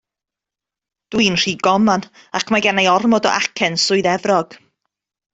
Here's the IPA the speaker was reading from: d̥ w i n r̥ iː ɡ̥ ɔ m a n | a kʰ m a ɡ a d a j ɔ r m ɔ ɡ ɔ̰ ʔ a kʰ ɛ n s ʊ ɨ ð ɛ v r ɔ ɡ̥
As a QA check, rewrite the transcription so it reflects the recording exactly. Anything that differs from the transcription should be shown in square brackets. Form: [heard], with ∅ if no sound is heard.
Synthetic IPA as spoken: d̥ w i n r̥ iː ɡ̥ ɔ m a n | a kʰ m a ɡ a [n] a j ɔ r m ɔ [d] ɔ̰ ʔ a kʰ ɛ n s ʊ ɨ ð ɛ v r ɔ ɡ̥